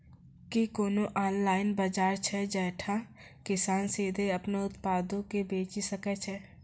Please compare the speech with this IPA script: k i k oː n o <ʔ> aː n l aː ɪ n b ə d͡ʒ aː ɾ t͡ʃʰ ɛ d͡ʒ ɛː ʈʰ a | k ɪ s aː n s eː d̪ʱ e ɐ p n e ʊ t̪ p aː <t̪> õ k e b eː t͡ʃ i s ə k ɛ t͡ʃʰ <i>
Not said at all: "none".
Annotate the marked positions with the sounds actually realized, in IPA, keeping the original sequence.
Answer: ʔ, d̪, ɛ

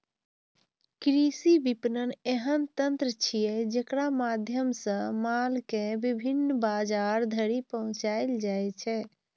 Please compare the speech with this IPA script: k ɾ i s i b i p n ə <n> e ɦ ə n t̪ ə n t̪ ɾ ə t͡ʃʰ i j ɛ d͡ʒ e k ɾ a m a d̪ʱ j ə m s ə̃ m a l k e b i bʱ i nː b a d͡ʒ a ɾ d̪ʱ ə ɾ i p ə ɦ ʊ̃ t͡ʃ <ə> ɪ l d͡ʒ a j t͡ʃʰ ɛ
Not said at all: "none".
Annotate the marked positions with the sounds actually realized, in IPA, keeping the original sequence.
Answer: n, a

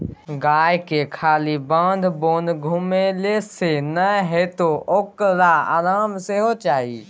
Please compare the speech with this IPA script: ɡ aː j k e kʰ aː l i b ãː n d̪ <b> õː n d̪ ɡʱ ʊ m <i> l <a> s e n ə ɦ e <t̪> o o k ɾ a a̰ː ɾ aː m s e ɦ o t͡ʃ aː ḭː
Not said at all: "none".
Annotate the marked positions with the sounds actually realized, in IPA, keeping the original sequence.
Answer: b, e, e, t̪

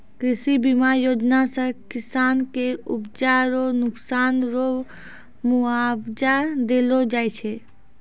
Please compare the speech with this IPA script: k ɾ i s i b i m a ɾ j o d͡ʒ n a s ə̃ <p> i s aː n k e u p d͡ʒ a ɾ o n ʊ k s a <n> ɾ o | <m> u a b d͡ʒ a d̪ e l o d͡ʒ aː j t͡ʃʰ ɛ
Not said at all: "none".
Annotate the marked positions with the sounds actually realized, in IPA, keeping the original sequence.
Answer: k, n, m

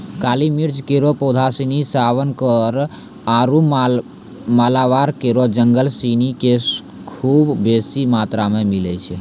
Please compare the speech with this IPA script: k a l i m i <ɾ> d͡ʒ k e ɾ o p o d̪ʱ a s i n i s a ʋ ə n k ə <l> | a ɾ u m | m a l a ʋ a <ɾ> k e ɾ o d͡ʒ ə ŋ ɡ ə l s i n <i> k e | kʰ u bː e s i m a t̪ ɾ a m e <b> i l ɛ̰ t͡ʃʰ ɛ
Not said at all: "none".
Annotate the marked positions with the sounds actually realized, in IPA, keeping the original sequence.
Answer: ɾ, ɾ, ɾ, i, m

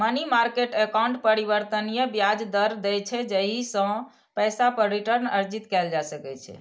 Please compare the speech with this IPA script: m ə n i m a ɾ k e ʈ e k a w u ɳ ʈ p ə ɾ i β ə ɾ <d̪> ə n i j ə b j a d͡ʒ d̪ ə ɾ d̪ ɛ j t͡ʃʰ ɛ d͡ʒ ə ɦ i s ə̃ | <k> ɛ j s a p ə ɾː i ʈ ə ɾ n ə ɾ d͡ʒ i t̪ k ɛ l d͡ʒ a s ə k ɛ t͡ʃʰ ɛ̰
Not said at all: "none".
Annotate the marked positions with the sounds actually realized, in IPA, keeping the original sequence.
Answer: t̪, p

